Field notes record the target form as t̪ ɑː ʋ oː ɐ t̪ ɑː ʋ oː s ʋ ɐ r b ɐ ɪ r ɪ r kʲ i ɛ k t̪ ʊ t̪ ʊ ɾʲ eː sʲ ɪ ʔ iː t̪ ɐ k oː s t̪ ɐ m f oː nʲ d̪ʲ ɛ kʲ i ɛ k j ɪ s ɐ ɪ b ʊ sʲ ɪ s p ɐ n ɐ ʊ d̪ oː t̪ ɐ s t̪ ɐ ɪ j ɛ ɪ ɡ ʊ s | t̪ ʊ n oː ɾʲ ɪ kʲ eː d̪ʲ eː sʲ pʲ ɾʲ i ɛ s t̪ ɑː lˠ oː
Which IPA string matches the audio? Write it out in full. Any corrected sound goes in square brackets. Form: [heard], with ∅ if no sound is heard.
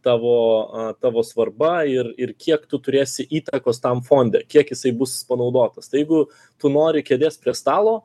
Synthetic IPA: t̪ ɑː ʋ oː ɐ t̪ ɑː ʋ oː s ʋ ɐ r b ɐ ɪ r ɪ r kʲ i ɛ k t̪ ʊ t̪ ʊ ɾʲ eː sʲ ɪ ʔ iː t̪ ɐ k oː s t̪ ɐ m f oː nʲ d̪ʲ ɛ kʲ i ɛ k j ɪ s ɐ ɪ b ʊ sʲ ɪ s p ɐ n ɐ ʊ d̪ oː t̪ ɐ s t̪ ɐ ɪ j ɛ ɪ ɡ ʊ [∅] | t̪ ʊ n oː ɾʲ ɪ kʲ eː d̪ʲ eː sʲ pʲ ɾʲ i ɛ s t̪ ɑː lˠ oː